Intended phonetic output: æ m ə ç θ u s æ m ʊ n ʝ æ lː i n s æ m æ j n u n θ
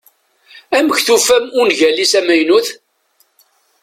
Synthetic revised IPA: æ m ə ç θ u f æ m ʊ n ʝ æ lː i s æ m æ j n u θ